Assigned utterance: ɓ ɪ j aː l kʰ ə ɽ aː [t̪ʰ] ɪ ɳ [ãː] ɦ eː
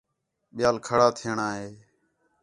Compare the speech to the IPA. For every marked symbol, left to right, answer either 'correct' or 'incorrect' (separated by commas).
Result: correct, incorrect